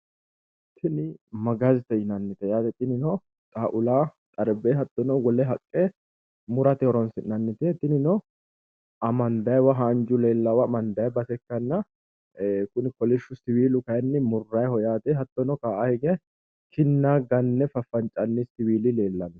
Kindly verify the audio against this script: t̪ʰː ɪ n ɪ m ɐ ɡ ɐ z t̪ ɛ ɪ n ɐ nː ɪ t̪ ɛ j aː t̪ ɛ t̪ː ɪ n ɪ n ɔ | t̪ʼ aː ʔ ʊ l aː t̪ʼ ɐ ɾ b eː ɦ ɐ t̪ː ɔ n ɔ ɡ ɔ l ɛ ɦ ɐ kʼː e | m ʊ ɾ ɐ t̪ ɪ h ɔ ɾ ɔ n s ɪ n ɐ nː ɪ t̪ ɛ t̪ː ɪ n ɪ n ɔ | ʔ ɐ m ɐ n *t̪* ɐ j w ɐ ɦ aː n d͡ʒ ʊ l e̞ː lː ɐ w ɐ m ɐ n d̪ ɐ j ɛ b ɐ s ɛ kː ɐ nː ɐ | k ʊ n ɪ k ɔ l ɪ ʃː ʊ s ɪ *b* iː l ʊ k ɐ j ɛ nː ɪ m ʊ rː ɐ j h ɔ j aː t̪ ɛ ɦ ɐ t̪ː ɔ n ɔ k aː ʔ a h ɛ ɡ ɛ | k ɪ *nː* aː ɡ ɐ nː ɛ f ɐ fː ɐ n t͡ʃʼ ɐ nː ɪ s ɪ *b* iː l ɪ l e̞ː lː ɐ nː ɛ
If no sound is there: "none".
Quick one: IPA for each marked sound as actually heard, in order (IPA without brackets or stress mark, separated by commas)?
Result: d̪, w, nː, w